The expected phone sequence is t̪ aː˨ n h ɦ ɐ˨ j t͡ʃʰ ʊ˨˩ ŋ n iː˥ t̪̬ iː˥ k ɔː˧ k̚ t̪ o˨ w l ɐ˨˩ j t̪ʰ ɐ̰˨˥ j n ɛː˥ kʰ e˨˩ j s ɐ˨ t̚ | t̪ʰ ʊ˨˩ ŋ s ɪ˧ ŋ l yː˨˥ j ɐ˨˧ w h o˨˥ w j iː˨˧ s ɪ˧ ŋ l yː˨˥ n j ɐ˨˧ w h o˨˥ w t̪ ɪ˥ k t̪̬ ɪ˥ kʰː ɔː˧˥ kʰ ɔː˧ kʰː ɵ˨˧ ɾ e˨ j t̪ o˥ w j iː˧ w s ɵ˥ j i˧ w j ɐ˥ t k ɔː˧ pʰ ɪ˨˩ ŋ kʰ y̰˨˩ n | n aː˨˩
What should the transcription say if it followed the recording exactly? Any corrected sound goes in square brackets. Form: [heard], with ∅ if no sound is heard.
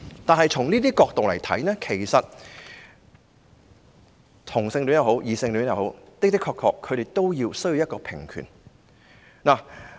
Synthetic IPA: t̪ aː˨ n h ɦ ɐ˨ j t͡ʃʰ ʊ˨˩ ŋ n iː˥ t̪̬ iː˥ k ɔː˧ k̚ t̪ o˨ w l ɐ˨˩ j t̪ʰ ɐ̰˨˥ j n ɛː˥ kʰ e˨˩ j s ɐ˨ t̚ | t̪ʰ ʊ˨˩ ŋ s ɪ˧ ŋ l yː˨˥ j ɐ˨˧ w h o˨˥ w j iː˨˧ s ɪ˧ ŋ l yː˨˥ n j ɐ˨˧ w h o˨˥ w t̪ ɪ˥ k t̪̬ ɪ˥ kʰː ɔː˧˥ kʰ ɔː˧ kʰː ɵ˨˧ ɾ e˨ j t̪ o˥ w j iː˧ w s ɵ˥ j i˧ w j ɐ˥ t k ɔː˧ pʰ ɪ˨˩ ŋ kʰ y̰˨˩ n | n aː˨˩